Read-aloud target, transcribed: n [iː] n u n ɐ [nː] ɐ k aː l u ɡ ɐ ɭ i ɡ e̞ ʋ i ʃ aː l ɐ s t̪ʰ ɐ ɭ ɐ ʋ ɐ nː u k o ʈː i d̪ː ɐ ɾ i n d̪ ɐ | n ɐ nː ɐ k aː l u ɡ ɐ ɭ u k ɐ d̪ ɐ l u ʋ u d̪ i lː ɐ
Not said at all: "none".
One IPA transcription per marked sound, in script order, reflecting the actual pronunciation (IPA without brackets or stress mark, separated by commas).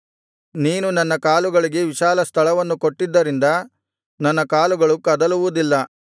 iː, nː